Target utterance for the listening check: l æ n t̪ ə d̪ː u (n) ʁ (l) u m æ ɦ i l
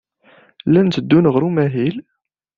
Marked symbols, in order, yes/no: yes, no

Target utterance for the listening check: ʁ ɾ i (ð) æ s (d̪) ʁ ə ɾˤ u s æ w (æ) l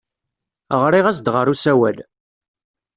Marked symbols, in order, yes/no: no, yes, yes

